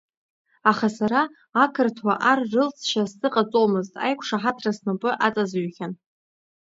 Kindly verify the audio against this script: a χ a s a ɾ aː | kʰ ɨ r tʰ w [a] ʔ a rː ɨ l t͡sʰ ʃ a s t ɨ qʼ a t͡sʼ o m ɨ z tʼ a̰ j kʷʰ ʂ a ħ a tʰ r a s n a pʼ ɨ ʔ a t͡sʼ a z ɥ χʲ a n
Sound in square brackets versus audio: correct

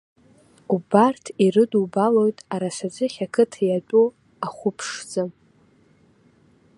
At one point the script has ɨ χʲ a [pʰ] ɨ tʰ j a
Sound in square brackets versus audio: incorrect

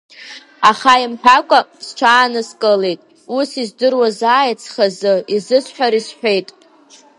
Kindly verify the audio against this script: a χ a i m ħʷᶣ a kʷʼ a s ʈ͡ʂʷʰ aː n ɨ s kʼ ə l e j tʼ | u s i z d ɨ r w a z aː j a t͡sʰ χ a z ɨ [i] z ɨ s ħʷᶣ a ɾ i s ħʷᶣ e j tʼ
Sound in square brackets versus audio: correct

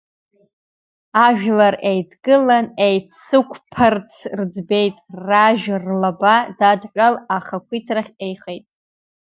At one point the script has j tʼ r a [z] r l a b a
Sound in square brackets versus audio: incorrect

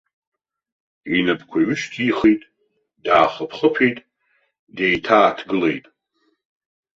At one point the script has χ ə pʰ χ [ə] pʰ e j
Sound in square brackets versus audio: correct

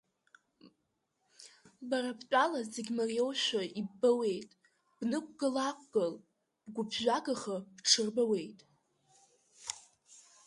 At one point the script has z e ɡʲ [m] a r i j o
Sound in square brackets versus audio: correct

